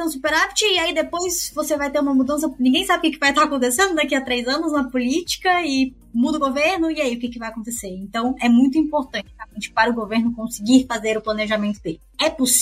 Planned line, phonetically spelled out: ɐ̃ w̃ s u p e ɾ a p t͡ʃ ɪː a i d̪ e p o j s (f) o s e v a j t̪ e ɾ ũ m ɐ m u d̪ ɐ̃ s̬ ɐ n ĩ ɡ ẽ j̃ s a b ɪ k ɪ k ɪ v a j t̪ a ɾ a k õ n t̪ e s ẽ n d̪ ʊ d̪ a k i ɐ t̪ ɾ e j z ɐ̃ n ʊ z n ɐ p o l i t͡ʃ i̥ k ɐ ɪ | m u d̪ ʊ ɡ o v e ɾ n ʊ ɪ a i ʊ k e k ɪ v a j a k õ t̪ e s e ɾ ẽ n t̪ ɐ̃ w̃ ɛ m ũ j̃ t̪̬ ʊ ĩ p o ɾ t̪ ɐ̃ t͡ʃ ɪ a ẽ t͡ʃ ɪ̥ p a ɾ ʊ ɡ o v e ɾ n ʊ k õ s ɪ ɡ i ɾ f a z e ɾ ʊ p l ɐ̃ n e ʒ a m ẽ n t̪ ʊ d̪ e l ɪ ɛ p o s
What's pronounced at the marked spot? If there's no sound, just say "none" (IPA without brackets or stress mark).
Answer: v